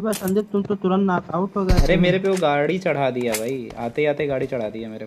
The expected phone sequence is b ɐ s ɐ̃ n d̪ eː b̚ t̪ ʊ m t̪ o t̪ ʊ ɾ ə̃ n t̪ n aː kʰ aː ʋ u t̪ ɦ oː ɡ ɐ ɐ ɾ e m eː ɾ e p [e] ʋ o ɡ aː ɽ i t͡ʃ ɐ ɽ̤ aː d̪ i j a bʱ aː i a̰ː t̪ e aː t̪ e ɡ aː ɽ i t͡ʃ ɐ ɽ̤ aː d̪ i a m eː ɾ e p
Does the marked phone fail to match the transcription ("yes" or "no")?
no